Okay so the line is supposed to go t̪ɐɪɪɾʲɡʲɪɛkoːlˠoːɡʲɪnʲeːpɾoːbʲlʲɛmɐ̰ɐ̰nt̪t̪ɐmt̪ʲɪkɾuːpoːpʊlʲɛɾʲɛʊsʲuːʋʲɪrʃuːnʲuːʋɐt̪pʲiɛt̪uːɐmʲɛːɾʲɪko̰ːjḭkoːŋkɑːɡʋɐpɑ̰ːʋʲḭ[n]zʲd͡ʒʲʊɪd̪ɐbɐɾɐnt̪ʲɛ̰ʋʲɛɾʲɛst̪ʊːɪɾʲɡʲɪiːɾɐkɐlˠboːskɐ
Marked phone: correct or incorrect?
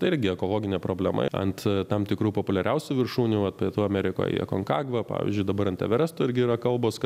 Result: incorrect